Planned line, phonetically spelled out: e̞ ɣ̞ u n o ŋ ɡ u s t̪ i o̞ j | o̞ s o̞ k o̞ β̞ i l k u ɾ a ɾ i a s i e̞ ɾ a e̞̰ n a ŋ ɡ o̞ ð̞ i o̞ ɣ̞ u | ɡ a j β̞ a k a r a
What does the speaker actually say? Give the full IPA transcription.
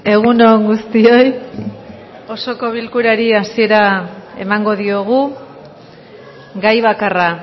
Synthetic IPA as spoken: e̞ ɣ̞ u n o ŋ ɡ u s t̪ i o̞ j | o̞ s o̞ k o̞ β̞ i l k u ɾ a ɾ i a s i e̞ ɾ a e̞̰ m a ŋ ɡ o̞ ð̞ i o̞ ɣ̞ u | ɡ a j β̞ a k a r a

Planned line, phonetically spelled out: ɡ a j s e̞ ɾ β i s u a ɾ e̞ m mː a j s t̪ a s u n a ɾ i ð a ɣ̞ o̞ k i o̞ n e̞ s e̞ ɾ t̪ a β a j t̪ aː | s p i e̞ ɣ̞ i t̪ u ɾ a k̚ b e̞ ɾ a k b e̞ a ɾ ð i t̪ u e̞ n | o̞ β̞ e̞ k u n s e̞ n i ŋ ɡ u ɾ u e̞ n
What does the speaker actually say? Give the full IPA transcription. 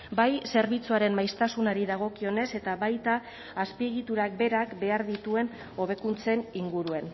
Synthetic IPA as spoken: b a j s e̞ ɾ β i t͡s u a ɾ e̞ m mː a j s t̪ a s u n a ɾ i ð a ɣ̞ o̞ k i o̞ n e̞ s e̞ t̪ a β a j t̪ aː | s p i e̞ ɣ̞ i t̪ u ɾ a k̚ b e̞ ɾ a k b e̞ a ɾ ð i t̪ u e̞ n | o̞ β̞ e̞ k u n t͡s e̞ n i ŋ ɡ u ɾ u e̞ n

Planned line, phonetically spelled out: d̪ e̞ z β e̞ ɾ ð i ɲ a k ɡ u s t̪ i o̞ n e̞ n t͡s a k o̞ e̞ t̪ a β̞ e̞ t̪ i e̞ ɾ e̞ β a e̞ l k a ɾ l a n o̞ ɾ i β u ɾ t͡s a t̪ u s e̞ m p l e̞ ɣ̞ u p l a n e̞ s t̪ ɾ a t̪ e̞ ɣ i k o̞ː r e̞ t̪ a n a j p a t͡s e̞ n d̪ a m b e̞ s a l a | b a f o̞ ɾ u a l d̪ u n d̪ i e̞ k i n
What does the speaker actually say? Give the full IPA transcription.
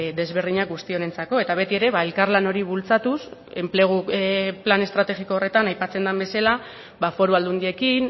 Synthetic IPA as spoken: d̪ e̞ z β e̞ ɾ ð i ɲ a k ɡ u s t̪ i o̞ n e̞ n t͡s a k o̞ e̞ t̪ a β̞ e̞ t̪ i e̞ ɾ e̞ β a e̞ l k a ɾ l a n o̞ ɾ i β u l t͡s a t̪ u s e̞ m p l e̞ ɣ̞ u p l a n e̞ s t̪ ɾ a t̪ e̞ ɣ i k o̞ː r e̞ t̪ a n a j p a t͡s e̞ n d̪ a m b e̞ s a l a | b a f o̞ ɾ u a l d̪ u n d̪ i e̞ k i n

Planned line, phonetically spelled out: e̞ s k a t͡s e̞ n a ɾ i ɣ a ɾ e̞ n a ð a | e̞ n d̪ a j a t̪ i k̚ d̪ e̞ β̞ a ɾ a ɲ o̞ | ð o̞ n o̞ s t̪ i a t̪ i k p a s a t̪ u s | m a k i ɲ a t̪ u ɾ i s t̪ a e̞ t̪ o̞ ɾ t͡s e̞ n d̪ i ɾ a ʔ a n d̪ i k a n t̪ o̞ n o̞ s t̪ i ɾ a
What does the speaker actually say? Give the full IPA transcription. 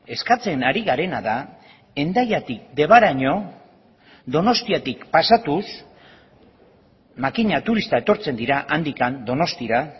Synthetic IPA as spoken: e̞ s k a t͡s e̞ n a ɾ i ɣ a ɾ e̞ n a ð a | e̞ n d̪ a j a t̪ i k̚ d̪ e̞ β̞ a ɾ a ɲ o̞ | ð o̞ n o̞ s t̪ i a t̪ i k p a s a t̪ u s | m a k i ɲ a t̪ u ɾ i s t̪ a e̞ t̪ o̞ ɾ t͡s e̞ n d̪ i ɾ a ʔ a n d̪ i k a n d̪ o̞ n o̞ s t̪ i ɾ a

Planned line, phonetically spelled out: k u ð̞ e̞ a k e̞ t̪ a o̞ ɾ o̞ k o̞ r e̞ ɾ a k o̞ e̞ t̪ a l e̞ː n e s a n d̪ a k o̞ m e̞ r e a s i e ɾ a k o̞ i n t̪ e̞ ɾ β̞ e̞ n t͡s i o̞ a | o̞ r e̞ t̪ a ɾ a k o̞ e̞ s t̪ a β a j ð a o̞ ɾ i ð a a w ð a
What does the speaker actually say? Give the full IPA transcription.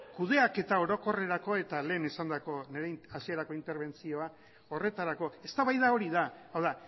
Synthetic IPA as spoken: k u ð̞ e̞ a k e̞ t̪ a o̞ ɾ o̞ k o̞ r e̞ ɾ a k o̞ e̞ t̪ a l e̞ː n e s a n d̪ a k o̞ n e̞ ɾ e a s i e ɾ a k o̞ i n t̪ e̞ ɾ β̞ e̞ n t͡s i o̞ a | o̞ r e̞ t̪ a ɾ a k o̞ e̞ s t̪ a β a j ð a o̞ ɾ i ð a a w ð a

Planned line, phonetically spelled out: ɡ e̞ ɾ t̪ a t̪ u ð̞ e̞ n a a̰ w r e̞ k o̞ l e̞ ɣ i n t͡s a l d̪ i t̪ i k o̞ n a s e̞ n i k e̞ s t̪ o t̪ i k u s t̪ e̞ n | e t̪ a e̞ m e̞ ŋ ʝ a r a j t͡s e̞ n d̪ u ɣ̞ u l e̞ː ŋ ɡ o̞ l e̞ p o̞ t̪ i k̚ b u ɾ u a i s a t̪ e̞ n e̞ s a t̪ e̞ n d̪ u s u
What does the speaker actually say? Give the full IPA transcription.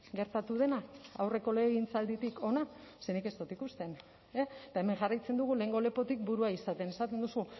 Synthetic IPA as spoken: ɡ e̞ ɾ t̪ a t̪ u ð̞ e̞ n a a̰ w r e̞ k o̞ l e̞ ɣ i n t͡s a l d̪ i t̪ i k o̞ n a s e̞ n i k e̞ s t̪ o t̪ i k u s t̪ e̞ n | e t̪ a e̞ m e̞ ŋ ʝ a r a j t͡s e̞ n d̪ u ɣ̞ u l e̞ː ŋ ɡ o̞ l e̞ p o̞ t̪ i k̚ b u ɾ u a i s a t̪ e̞ n e̞ s a t̪ e̞ n d̪ u s u

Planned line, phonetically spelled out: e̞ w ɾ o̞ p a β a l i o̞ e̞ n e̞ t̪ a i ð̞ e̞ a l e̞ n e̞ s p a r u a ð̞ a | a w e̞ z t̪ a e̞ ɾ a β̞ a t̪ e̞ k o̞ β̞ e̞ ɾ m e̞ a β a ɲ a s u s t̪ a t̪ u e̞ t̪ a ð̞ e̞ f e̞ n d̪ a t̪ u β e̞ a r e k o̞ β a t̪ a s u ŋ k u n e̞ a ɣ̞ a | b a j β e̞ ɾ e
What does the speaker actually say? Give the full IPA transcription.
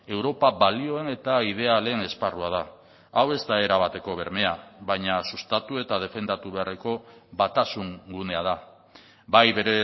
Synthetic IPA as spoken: e̞ w ɾ o̞ p a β a l i o̞ e̞ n e̞ t̪ a i ð̞ e̞ a l e̞ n e̞ s p a r u a ð̞ a | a w e̞ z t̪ a e̞ ɾ a β̞ a t̪ e̞ k o̞ β̞ e̞ ɾ m e̞ a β a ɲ a s u s t̪ a t̪ u e̞ t̪ a ð̞ e̞ f e̞ n d̪ a t̪ u β e̞ a r e k o̞ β a t̪ a s u ŋ ɡ u n e̞ a ð̞ a | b a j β e̞ ɾ e

